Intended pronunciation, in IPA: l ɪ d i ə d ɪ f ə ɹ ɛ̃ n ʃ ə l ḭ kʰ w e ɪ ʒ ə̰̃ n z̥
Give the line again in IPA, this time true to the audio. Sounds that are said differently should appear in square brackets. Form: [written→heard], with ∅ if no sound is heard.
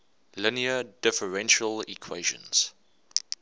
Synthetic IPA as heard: l ɪ [d→n] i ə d ɪ f ə ɹ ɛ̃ n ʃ ə l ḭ kʰ w e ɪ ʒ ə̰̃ n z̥

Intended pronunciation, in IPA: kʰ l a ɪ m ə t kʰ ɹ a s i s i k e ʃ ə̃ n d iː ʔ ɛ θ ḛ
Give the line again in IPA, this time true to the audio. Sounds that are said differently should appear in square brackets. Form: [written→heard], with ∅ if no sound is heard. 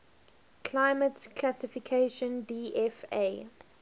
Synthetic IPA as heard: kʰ l a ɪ m ə t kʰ [ɹ→l] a s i [s→f] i [k→kʰ] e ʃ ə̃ n d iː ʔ ɛ [θ→f] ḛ

